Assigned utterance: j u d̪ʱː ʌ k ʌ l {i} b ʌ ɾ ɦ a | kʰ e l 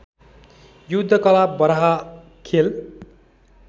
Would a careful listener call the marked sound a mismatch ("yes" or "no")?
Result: yes